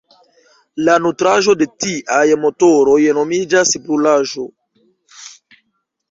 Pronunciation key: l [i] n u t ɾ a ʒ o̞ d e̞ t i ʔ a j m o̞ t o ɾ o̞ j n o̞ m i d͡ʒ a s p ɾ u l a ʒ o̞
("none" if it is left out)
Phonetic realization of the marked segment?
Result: a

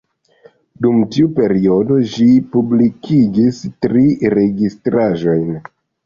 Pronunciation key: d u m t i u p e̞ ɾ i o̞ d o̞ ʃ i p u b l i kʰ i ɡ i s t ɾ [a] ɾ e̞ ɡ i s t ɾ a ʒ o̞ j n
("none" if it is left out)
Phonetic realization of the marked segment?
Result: i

